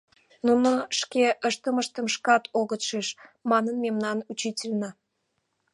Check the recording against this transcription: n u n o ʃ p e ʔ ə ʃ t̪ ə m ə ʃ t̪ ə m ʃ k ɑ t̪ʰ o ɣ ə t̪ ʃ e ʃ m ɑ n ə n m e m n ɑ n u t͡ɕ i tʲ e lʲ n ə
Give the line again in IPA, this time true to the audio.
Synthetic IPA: n u n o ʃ k e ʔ ə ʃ t̪ ə m ə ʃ t̪ ə m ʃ k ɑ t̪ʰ o ɣ ə t̪ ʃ e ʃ m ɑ n ə n m e m n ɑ n u t͡ɕ i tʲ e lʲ n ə